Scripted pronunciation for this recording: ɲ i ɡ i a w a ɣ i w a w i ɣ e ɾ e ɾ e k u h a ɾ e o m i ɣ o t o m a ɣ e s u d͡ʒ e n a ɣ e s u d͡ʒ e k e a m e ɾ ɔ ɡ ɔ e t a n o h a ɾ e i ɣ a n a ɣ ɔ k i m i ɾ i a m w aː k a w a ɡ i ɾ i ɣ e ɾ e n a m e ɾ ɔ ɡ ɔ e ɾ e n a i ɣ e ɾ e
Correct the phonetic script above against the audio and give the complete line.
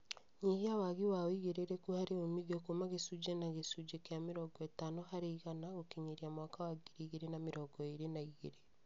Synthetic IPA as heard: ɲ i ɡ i a w a ɣ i w a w i ɣ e ɾ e ɾ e k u h a ɾ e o m i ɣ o k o m a ɣ e s u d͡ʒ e n a ɣ e s u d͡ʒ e k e a m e ɾ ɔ ɡ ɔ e t a n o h a ɾ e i ɣ a n a ɣ o k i ɲ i ɾ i a m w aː k a w a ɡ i ɾ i ɣ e ɾ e n a m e ɾ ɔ ɡ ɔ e ɾ e n a i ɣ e ɾ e

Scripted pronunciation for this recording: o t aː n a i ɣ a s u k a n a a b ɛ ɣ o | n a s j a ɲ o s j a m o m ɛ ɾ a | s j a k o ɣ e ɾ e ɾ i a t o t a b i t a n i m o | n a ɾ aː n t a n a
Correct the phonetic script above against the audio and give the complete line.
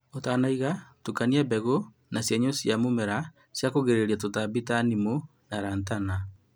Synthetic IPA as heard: o t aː n a i ɣ a t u k a n i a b ɛ ɣ o | n a s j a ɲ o s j a m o m ɛ ɾ a | s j a k o ɣ e ɾ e ɾ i a t o t a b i t a n i m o | n a ɾ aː n t a n a

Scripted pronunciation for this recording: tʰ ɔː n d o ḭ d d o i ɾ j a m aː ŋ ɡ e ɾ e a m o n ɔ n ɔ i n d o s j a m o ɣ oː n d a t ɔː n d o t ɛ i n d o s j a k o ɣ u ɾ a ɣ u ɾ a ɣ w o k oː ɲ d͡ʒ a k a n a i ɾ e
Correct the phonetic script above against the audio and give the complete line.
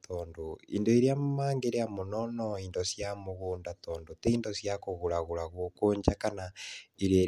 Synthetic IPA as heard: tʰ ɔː n d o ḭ n d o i ɾ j a m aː ŋ ɡ e ɾ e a m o n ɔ n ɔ i n d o s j a m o ɣ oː n d a t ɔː n d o t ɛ i n d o s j a k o ɣ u ɾ a ɣ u ɾ a ɣ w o k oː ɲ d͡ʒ a k a n a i ɾ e

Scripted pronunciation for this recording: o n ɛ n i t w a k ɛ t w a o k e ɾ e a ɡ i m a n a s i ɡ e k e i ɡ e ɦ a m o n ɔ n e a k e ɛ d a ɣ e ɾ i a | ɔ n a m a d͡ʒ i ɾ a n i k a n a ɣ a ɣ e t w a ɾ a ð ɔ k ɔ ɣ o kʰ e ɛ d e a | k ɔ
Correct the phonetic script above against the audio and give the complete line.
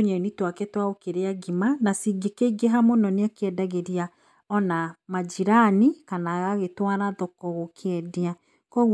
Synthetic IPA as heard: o ɲ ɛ n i t w a k ɛ t w a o k e ɾ e a ɡ i m a n a s i ɡ e k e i ɡ e ɦ a m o n ɔ n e a k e ɛ d a ɣ e ɾ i a | ɔ n a m a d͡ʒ i ɾ a n i k a n a ɣ a ɣ e t w a ɾ a ð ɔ k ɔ ɣ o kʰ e ɛ d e a | k ɔ

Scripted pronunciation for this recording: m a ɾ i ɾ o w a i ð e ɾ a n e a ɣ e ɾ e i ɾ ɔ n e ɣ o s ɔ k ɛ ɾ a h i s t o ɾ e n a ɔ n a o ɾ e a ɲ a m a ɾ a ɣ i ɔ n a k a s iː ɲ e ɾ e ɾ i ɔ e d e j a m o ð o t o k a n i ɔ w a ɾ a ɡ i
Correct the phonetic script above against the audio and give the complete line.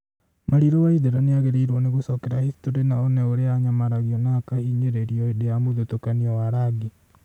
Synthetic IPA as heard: m a ɾ i ɾ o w a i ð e ɾ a n e a ɣ e ɾ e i ɾ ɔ n e ɣ o s ɔ k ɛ ɾ a h i s t o ɾ e n a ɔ n ɛ o ɾ e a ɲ a m a ɾ a ɣ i ɔ n a k a h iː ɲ e ɾ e ɾ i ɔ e d e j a m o ð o t o k a n i ɔ w a ɾ a ɡ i

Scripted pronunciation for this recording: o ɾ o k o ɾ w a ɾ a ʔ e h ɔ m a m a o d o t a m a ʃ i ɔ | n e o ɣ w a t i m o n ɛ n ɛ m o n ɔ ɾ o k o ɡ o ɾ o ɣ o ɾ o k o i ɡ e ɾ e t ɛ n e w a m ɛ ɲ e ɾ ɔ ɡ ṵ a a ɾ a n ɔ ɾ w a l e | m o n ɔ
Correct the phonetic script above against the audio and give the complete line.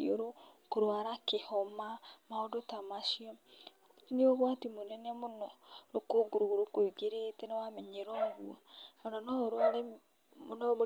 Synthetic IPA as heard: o ɾ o k o ɾ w a ɾ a k e h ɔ m a m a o d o t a m a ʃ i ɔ | n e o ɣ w a t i m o n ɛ n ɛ m o n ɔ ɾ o k o ɡ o ɾ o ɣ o ɾ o k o i ɡ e ɾ e t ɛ n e w a m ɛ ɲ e ɾ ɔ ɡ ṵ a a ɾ a n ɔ ɾ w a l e | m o n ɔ

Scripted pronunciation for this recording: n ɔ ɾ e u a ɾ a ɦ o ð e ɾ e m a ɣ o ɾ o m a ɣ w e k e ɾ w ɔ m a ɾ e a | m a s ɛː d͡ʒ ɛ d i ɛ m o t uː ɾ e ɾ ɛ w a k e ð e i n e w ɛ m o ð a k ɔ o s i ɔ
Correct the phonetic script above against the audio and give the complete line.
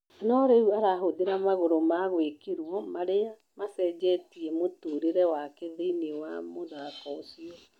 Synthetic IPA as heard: n ɔ ɾ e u a ɾ a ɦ o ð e ɾ a m a ɣ o ɾ o m a ɣ w e k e ɾ w ɔ m a ɾ e a | m a s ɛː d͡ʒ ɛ t i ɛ m o t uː ɾ e ɾ ɛ w a k e ð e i n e w a m o ð a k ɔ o s i ɔ

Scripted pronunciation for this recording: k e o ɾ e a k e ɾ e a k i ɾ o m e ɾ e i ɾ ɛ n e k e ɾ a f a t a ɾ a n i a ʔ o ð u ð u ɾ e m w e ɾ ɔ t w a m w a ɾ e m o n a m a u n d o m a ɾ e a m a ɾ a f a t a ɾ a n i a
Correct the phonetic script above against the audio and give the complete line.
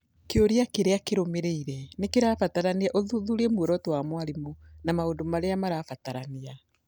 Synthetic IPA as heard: k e o ɾ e a k e ɾ e a k e ɾ o m e ɾ e i ɾ ɛ n e k e ɾ a f a t a ɾ a n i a ʔ o ð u ð u ɾ e m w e ɾ ɔ t w a m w a ɾ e m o n a m a o n d o m a ɾ e a m a ɾ a f a t a ɾ a n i a

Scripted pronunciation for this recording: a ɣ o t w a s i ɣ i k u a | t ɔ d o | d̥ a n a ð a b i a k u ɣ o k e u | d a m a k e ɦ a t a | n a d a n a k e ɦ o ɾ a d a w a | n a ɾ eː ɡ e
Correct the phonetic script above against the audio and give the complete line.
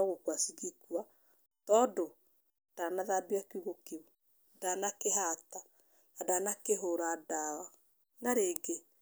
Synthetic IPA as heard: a ɣ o k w a s i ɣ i k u a | t ɔ d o | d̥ a n a ð a b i a k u ɣ o k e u | d a n a k e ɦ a t a | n a d a n a k e ɦ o ɾ a d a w a | n a ɾ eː ɡ e

